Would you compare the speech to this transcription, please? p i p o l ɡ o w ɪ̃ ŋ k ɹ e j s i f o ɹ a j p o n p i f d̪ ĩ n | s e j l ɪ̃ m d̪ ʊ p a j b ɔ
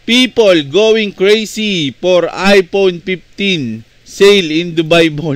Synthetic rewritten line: p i p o l ɡ o w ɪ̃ ŋ k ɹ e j s i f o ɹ a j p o n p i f t̪ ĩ n | s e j l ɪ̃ n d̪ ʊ b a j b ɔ